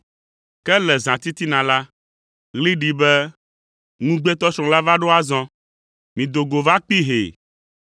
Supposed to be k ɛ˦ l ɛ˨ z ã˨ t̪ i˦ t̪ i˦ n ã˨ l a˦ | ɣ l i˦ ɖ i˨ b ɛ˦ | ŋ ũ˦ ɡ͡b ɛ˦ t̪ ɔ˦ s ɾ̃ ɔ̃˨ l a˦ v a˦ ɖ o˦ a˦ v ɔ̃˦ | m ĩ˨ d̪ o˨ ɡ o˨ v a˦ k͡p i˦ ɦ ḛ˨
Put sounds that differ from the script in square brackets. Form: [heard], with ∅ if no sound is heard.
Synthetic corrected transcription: k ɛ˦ l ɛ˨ z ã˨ t̪ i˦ t̪ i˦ n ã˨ l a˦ | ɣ l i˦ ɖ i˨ b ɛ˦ | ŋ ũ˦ ɡ͡b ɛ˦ t̪ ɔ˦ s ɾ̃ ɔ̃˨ l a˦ v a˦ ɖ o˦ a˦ [z] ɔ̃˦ | m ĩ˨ d̪ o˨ ɡ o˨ v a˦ k͡p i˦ ɦ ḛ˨